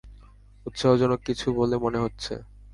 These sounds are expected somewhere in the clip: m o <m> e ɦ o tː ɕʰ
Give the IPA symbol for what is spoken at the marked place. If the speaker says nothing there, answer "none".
n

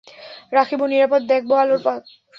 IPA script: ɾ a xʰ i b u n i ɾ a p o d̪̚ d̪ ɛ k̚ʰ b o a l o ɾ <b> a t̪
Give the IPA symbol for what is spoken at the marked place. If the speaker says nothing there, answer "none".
p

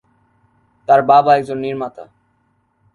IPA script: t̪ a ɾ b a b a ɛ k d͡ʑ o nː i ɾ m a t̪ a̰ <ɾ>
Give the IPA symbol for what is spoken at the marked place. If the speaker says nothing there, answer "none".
none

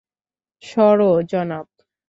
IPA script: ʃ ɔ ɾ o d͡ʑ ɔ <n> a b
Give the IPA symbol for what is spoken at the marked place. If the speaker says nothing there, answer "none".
n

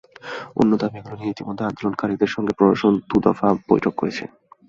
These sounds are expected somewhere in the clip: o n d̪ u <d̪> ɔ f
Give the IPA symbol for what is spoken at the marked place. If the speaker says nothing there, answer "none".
d̪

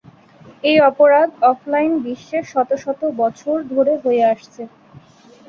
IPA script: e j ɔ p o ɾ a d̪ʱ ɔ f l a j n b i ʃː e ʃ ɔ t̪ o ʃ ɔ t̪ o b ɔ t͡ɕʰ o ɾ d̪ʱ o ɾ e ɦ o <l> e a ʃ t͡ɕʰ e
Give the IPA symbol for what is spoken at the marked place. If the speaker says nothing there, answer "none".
none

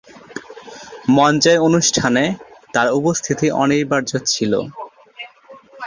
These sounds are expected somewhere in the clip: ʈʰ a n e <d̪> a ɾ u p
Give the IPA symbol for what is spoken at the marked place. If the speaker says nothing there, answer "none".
t̪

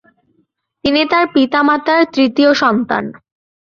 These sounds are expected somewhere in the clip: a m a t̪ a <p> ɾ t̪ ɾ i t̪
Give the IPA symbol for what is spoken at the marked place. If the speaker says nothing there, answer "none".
none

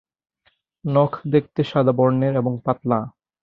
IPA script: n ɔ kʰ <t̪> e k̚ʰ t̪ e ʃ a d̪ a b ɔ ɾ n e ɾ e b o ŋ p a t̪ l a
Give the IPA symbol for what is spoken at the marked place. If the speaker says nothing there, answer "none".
d̪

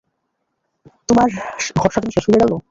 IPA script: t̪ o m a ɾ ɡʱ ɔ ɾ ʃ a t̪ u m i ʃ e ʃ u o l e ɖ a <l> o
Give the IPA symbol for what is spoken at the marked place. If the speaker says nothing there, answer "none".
l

